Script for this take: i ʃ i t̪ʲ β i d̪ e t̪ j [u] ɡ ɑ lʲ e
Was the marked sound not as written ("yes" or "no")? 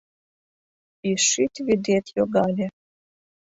yes